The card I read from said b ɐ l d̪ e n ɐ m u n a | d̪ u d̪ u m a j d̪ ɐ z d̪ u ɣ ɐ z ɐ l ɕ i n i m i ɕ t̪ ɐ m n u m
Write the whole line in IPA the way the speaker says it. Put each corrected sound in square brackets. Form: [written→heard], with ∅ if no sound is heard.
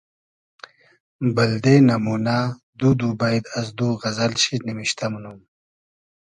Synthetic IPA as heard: b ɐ l d̪ e n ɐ m u n a | d̪ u d̪ u [m→b] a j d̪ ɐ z d̪ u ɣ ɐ z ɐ l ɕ i n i m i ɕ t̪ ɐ m n u m